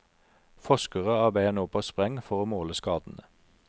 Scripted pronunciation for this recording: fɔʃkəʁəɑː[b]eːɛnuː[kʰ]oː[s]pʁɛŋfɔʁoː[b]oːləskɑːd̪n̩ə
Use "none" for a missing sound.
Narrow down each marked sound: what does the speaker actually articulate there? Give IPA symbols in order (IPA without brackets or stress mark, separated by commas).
b, pʰ, s, m